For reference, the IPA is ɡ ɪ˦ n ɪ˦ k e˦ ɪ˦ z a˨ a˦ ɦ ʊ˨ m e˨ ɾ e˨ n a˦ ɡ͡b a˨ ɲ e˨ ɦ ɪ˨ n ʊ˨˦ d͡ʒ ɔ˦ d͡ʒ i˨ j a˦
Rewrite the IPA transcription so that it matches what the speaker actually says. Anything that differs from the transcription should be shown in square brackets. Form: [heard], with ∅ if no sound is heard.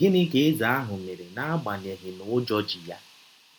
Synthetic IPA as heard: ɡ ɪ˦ n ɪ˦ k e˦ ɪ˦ z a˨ a˦ ɦ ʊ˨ m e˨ ɾ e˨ n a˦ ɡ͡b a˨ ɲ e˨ ɦ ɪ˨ n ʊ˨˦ d͡ʒ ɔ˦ d͡ʒ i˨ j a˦

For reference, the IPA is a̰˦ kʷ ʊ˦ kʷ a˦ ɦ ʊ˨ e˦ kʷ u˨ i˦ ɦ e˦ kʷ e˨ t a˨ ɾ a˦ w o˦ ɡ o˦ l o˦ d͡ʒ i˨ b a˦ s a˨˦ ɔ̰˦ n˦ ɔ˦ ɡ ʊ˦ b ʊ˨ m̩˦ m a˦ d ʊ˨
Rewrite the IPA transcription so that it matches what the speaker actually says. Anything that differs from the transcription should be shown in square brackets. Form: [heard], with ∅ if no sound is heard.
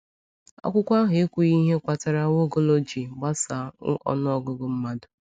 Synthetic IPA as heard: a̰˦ kʷ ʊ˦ kʷ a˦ ɦ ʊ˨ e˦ kʷ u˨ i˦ ɦ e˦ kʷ [a˨] t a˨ ɾ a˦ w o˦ ɡ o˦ l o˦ d͡ʒ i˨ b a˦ s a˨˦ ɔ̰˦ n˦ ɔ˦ ɡ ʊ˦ [ɡ] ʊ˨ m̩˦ m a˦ d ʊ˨

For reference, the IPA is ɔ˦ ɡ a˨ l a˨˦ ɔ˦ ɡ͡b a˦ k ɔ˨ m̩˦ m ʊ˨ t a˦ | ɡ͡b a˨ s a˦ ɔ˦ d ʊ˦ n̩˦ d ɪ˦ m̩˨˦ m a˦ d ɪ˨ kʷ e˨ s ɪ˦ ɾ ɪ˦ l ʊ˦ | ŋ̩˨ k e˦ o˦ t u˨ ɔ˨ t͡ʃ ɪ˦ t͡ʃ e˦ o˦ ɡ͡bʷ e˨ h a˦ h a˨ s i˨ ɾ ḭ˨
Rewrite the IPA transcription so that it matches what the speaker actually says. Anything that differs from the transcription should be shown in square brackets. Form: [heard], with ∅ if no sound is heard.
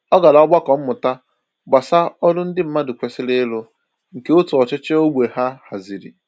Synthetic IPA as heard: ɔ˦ ɡ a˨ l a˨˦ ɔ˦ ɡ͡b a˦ k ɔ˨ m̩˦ m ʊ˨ t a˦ | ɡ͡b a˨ s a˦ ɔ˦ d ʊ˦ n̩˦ d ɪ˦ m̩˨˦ m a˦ d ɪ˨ kʷ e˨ s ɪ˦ [l] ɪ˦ l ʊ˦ | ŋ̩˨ k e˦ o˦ t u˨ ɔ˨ t͡ʃ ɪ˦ t͡ʃ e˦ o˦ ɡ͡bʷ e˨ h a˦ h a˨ [z] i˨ ɾ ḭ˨

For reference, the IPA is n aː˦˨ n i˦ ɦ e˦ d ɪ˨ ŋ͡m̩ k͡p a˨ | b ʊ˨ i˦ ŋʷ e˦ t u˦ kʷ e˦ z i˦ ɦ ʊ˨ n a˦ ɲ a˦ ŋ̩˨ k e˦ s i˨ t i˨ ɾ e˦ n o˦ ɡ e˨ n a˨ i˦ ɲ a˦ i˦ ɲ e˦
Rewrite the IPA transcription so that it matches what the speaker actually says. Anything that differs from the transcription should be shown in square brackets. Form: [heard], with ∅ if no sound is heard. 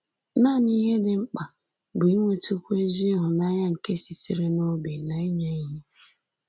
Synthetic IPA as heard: n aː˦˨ n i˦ ɦ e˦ d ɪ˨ ŋ͡m̩ k͡p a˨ | b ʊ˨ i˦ ŋʷ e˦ t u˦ kʷ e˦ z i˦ ɦ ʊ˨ n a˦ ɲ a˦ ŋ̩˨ k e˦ s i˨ t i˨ ɾ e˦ n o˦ [b] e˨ n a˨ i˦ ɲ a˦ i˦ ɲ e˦

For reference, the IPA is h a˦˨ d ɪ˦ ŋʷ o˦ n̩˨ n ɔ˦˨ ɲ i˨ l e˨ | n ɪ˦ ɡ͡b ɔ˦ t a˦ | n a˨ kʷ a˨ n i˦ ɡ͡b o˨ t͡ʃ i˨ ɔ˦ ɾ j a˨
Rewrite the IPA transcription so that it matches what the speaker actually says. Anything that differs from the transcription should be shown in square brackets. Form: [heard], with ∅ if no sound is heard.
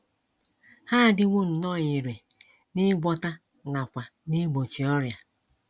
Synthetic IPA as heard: h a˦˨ d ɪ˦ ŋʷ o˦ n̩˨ n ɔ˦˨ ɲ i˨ [ɾ] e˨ | n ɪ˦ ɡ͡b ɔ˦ t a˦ | n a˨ kʷ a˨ n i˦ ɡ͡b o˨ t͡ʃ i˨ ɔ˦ ɾ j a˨

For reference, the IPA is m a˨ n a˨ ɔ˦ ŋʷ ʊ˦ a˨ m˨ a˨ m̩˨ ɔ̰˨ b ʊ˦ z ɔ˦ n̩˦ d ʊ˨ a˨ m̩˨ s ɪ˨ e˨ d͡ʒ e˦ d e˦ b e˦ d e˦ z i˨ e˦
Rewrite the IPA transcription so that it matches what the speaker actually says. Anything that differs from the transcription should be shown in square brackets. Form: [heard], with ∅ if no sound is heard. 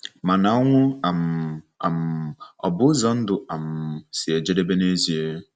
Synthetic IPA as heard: m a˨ n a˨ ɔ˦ ŋʷ ʊ˦ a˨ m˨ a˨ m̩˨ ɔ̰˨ b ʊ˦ z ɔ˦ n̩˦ d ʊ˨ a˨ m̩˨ s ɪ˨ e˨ d͡ʒ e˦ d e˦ b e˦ [n] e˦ z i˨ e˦

